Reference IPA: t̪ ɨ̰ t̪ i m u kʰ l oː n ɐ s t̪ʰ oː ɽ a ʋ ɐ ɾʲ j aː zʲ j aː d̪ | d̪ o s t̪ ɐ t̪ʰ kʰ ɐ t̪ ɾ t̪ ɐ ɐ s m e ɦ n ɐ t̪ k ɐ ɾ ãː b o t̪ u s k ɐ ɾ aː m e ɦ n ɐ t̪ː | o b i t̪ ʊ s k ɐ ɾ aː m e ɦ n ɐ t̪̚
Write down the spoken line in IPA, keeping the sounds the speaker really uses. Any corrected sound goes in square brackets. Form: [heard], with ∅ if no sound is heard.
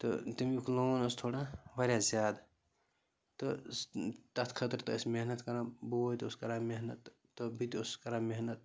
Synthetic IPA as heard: t̪ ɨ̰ t̪ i m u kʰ l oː n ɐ s t̪ʰ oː ɽ a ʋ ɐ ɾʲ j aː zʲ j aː d̪ | [t̪] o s t̪ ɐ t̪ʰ kʰ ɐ t̪ ɾ t̪ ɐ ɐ s m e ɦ n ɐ t̪ k ɐ ɾ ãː b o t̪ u s k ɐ ɾ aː m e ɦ n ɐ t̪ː | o b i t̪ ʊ s k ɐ ɾ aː m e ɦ n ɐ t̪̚